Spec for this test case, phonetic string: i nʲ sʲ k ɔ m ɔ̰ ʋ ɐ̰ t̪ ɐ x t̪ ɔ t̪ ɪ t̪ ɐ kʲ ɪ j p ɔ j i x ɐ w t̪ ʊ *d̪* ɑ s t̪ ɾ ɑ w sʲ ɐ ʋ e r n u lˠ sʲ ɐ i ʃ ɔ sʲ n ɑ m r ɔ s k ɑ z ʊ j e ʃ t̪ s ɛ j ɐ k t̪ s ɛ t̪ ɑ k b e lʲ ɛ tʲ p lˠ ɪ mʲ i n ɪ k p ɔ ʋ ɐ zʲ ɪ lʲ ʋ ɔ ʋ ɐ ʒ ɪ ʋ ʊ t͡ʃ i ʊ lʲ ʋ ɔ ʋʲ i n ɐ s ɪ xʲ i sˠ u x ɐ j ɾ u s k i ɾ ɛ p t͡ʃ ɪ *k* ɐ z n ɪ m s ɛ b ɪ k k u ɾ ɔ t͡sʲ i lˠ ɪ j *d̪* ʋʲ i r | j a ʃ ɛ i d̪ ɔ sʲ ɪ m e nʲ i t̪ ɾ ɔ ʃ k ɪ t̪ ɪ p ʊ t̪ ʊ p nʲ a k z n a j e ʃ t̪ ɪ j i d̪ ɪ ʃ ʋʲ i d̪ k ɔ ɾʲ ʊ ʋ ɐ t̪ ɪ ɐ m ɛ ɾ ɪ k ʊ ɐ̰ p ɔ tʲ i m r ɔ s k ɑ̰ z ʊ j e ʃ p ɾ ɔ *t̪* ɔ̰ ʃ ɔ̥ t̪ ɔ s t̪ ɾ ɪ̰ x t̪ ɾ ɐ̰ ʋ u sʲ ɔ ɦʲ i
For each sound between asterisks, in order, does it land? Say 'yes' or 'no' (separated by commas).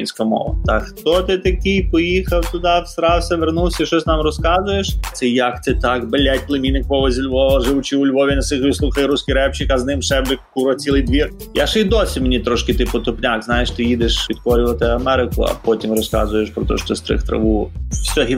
yes, yes, yes, yes